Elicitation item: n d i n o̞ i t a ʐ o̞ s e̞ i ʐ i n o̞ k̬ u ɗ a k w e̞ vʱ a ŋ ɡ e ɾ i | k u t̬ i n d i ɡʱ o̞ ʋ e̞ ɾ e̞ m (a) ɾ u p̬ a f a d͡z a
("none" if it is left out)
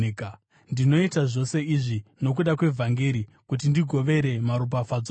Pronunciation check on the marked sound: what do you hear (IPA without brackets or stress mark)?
a